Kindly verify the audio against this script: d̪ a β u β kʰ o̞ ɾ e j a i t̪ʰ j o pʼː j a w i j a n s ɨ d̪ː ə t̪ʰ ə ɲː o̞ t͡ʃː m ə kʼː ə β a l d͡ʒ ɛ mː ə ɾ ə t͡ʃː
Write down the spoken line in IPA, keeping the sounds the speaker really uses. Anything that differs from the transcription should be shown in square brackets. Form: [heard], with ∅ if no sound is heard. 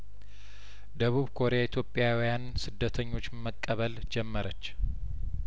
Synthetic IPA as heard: d̪ [ə] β u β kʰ o̞ ɾ e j a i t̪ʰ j o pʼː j a w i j a n s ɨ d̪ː ə t̪ʰ ə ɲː o̞ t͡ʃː m ə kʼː ə β [ə] l d͡ʒ ɛ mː ə ɾ ə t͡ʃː

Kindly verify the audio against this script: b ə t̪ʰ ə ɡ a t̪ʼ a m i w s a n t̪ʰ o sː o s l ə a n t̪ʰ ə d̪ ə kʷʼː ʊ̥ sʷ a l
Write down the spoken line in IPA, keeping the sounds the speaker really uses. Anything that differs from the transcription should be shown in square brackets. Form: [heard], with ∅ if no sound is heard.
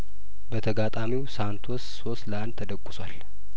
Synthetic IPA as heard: b ə t̪ʰ ə ɡ a t̪ʼ a m i w s a n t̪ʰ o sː o s l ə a n t̪ʰ ə d̪ ə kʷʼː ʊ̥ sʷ a l

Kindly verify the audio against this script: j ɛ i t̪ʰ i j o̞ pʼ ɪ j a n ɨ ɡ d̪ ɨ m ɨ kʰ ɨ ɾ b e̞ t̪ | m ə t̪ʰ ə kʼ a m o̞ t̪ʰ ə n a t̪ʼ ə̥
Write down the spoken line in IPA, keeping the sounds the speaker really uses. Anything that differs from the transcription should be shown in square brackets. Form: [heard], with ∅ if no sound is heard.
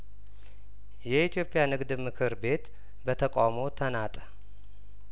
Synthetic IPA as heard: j ɛ i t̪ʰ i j o̞ pʼ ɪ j a n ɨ ɡ d̪ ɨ m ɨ kʰ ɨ ɾ b e̞ t̪ | [b] ə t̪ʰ ə kʼ a m o̞ t̪ʰ ə n a t̪ʼ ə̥

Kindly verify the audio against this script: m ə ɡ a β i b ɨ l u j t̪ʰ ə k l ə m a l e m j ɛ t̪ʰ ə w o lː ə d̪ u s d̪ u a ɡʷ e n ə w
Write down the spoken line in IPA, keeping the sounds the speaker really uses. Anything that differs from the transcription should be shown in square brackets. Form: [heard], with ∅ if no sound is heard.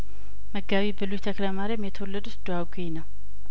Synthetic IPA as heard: m ə ɡ a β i b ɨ l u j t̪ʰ ə k l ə m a [ɾ] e m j ɛ t̪ʰ ə w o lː ə d̪ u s d̪ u a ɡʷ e n ə w

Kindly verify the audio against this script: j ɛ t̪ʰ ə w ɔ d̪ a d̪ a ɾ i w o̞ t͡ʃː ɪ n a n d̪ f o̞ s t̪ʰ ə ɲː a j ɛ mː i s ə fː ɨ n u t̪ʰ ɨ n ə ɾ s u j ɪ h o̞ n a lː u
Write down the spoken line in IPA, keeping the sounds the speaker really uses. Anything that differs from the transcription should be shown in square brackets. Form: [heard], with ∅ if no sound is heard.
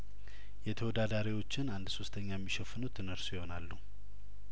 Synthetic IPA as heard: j ɛ t̪ʰ ə w ɔ d̪ a d̪ a ɾ i w o̞ t͡ʃː ɪ n a n d̪ [s] o̞ s t̪ʰ ə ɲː a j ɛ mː i [ʃ] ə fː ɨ n u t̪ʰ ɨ n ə ɾ s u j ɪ h o̞ n a lː u

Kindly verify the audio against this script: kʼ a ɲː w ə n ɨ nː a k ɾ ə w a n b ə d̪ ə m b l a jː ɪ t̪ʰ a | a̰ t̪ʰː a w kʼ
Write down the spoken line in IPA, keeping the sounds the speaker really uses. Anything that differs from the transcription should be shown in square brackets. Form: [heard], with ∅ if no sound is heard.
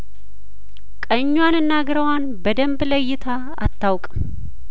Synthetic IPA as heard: kʼ [ə] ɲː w [a] n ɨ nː a [ɡ] ɾ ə w a n b ə d̪ ə m b l [ə] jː ɪ t̪ʰ a | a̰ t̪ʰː a w kʼ

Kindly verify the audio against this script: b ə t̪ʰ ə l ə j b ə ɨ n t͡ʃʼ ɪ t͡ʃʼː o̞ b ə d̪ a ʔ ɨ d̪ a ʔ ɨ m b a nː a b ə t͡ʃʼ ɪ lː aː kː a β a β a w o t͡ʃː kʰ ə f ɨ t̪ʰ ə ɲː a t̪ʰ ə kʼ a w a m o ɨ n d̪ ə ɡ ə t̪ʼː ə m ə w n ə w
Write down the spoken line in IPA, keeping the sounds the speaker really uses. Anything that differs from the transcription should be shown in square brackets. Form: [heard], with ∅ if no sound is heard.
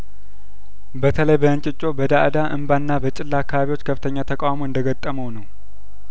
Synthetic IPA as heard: b ə t̪ʰ ə l ə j b ə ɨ n t͡ʃʼ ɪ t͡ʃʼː o̞ b ə d̪ a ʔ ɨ d̪ a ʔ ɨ m b a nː a b ə t͡ʃʼ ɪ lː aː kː a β a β [i] w o t͡ʃː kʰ ə f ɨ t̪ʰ ə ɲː a t̪ʰ ə kʼ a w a m o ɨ n d̪ ə ɡ ə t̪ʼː ə m ə w n ə w

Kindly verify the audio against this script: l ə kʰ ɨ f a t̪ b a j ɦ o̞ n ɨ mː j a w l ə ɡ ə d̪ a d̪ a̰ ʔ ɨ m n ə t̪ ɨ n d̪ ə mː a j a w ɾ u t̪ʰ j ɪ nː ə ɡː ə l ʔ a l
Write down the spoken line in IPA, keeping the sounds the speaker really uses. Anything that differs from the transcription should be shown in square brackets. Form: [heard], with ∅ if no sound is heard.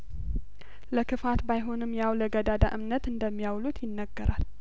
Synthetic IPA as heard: l ə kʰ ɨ f a t̪ b a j ɦ o̞ n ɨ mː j a w l ə ɡ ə d̪ a d̪ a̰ ʔ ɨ m n ə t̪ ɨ n d̪ ə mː [i] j a w [l] u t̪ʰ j ɪ nː ə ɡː ə [ɾ] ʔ a l

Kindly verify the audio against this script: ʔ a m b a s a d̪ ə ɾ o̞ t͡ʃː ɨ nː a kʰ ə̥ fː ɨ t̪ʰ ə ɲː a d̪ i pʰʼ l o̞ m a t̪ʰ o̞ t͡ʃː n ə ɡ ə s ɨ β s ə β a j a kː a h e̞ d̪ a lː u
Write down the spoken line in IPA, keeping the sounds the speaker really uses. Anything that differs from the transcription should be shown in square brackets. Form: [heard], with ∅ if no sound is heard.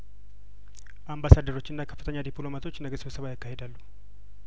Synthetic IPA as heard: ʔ a m b a s a d̪ ə ɾ o̞ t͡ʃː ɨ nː a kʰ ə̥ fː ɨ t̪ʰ ə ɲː a d̪ i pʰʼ l o̞ m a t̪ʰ o̞ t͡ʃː n ə ɡ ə s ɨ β s ə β a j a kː a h e̞ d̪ a lː u

